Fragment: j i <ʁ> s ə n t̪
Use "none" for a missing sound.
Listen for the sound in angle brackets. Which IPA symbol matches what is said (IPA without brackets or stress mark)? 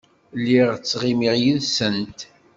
ð